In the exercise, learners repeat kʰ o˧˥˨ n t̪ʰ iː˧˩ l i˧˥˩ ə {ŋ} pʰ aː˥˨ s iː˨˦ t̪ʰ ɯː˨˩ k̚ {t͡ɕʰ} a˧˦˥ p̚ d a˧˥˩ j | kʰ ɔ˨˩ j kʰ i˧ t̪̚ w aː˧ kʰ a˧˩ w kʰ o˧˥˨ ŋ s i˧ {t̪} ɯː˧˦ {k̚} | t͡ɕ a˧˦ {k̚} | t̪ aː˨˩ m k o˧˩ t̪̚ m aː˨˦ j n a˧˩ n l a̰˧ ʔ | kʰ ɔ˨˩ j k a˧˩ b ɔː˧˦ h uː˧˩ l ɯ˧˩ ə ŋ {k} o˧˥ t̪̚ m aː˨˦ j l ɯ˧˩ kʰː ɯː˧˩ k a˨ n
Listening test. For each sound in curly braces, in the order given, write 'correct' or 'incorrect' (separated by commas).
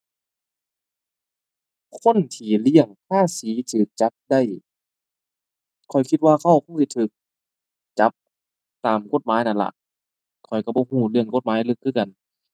correct, incorrect, incorrect, correct, incorrect, correct